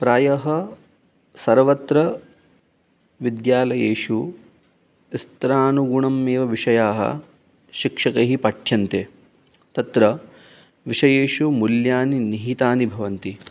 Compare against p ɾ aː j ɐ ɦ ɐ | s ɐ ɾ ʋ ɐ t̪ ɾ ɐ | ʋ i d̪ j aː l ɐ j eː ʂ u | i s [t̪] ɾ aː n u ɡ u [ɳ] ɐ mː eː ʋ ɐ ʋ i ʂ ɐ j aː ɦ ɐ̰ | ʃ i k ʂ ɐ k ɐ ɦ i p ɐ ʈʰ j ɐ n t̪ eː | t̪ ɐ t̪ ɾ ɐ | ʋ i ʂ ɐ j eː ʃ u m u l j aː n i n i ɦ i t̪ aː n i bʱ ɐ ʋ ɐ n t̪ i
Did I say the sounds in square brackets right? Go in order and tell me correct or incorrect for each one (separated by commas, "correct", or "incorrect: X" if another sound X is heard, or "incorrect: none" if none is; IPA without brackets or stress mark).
correct, correct